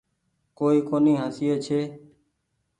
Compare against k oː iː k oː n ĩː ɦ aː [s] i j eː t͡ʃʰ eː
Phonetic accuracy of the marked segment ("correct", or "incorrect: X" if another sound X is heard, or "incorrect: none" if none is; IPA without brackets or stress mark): correct